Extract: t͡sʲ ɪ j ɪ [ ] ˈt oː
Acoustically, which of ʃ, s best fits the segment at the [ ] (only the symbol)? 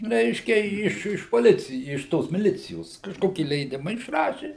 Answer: ʃ